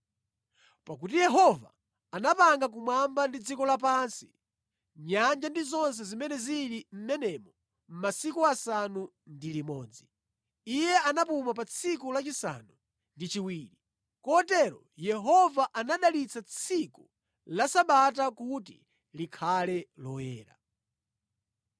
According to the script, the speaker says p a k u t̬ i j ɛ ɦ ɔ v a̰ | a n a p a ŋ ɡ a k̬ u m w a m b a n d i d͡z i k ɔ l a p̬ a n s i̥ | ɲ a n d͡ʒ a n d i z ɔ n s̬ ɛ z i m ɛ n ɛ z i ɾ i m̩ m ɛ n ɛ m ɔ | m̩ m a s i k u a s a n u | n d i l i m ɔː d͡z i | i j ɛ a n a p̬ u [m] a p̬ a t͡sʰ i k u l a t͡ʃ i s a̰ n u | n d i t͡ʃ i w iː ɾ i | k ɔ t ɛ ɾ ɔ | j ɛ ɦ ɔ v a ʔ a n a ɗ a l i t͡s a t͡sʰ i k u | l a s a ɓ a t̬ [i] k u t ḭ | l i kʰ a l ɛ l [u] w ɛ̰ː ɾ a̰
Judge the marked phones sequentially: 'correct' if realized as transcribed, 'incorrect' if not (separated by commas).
correct, incorrect, incorrect